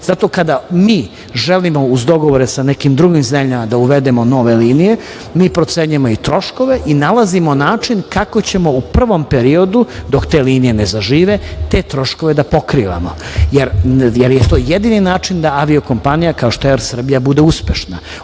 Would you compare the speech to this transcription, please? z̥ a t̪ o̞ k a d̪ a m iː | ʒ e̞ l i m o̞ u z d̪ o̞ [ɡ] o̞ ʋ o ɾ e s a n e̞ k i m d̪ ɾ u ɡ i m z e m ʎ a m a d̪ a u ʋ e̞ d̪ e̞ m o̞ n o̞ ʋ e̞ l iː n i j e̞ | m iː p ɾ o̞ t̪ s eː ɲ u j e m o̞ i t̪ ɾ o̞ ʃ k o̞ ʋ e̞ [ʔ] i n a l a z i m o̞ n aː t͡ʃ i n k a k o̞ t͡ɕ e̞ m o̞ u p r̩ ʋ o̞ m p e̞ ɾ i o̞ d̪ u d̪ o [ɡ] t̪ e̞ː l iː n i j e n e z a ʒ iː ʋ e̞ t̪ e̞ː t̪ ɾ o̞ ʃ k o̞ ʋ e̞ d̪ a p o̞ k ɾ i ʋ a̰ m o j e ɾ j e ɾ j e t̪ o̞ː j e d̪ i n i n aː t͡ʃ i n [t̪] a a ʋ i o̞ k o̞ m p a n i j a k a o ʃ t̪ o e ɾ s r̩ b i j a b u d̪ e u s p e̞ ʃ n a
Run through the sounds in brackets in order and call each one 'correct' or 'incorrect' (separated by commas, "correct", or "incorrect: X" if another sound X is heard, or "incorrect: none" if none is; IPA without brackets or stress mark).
correct, correct, incorrect: k, incorrect: d̪